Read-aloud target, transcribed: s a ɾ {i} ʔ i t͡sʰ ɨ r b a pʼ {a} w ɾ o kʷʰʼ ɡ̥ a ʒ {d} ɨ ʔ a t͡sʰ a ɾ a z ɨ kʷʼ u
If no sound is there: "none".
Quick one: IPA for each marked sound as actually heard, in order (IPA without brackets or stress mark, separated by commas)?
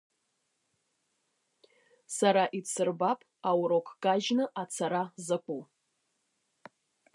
a, a, n